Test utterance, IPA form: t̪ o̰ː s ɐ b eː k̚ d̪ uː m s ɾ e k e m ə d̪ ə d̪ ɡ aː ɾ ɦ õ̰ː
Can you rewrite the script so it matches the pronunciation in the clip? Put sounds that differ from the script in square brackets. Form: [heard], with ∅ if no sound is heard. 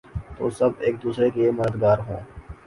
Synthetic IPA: t̪ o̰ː s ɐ b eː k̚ d̪ uː [∅] s ɾ e k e m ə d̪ ə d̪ ɡ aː ɾ ɦ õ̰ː